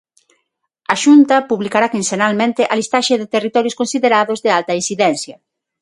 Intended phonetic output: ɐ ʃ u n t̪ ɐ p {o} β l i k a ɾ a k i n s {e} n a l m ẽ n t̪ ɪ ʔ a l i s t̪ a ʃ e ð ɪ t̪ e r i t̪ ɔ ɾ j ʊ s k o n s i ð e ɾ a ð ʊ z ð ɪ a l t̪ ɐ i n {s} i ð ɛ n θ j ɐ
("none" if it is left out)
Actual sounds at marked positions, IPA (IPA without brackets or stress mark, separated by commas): u, e, s